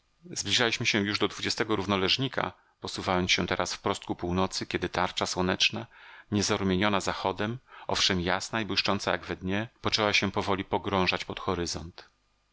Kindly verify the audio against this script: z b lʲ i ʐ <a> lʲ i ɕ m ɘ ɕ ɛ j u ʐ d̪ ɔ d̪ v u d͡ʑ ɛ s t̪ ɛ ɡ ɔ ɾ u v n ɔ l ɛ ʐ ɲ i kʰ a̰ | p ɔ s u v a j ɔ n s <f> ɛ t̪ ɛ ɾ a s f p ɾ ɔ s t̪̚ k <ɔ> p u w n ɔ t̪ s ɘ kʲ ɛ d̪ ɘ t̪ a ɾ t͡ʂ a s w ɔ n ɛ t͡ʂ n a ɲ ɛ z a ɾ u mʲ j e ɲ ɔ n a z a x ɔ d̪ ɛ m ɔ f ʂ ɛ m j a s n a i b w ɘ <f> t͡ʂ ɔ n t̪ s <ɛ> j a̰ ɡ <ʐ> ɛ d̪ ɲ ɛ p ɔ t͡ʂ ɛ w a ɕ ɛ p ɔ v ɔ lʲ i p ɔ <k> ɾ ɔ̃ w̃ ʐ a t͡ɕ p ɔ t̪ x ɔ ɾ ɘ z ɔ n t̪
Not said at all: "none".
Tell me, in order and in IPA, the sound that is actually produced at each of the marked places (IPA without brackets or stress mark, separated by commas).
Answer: a, ɕ, u, ʂ, a, v, ɡ